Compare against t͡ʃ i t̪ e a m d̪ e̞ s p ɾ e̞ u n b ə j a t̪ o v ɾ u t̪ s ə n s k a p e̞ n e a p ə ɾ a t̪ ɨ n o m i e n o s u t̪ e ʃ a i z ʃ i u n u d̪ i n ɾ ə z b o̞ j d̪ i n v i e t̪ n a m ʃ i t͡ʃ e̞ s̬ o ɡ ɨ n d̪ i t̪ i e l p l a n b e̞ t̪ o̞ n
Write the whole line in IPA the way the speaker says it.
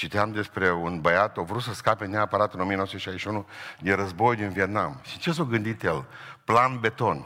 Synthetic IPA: t͡ʃ i t̪ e a m d̪ e̞ s p ɾ e̞ u n b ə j a t̪ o v ɾ u t̪ s ə s k a p e̞ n e a p ə ɾ a t̪ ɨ n o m i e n o s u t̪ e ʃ a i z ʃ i u n u d̪ i n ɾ ə z b o̞ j d̪ i n v i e t̪ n a m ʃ i t͡ʃ e̞ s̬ o ɡ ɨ n d̪ i t̪ j e l p l a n b e̞ t̪ o̞ n